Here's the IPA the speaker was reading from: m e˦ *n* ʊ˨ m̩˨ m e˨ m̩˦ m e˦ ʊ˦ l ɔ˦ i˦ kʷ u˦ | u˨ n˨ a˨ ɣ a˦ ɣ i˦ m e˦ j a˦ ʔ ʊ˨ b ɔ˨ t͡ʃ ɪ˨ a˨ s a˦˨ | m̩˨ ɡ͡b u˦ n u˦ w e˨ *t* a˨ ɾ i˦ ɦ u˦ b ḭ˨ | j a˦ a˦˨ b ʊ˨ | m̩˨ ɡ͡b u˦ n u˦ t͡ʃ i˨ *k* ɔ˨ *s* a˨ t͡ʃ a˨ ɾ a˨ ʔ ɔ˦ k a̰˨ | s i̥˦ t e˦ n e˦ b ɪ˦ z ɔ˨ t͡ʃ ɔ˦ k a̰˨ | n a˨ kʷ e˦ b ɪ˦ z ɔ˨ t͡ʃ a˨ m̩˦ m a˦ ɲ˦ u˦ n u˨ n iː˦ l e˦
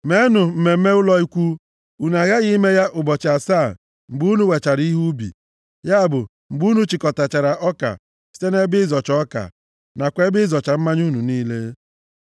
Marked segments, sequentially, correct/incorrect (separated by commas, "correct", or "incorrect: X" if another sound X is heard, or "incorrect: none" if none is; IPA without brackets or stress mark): correct, incorrect: t͡ʃ, correct, incorrect: t